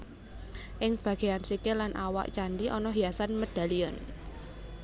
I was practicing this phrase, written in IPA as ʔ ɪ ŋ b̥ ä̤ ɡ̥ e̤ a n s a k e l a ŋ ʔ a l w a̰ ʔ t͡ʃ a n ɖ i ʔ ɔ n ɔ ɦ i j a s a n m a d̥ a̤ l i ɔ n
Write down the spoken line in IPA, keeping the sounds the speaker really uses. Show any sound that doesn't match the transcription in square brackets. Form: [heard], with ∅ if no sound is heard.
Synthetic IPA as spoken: ʔ ɪ ŋ b̥ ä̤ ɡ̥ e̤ a n s [i] k e l a [n] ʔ a [∅] w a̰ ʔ t͡ʃ a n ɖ i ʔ ɔ n ɔ ɦ i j a s a n m [ə] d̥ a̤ l i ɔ n